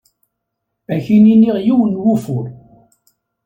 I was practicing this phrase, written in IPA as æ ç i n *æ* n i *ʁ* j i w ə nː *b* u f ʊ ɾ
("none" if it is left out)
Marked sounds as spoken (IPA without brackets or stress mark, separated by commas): i, ʁ, w